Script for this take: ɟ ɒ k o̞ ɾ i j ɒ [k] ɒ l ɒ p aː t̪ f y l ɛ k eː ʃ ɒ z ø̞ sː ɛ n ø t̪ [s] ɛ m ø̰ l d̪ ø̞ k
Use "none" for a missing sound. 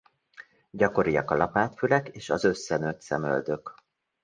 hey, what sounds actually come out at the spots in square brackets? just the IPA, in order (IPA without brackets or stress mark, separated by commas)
k, s